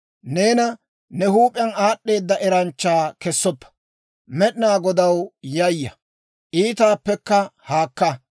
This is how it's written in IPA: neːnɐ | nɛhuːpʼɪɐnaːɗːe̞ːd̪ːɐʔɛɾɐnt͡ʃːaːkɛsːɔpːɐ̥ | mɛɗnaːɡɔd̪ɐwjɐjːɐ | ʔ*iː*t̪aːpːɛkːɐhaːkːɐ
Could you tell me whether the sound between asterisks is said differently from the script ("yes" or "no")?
no